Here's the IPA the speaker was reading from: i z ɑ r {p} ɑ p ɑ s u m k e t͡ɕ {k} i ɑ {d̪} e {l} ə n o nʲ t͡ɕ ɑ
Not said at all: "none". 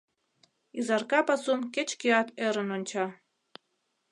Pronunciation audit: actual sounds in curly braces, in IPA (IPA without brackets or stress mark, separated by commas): k, k, t̪, ɾ